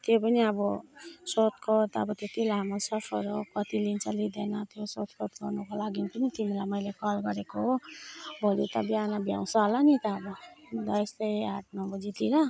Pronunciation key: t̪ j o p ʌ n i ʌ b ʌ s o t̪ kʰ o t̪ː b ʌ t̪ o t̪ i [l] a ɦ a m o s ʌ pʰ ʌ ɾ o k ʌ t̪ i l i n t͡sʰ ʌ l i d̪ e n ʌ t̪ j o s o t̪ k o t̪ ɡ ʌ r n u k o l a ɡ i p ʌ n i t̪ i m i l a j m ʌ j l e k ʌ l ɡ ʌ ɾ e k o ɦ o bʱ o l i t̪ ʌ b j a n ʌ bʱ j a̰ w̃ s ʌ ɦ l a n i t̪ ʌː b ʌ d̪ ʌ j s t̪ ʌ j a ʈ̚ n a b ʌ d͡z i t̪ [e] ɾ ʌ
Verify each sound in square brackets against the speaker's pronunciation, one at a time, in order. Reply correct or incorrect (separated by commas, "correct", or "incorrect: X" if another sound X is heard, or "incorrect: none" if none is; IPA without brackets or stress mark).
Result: correct, incorrect: i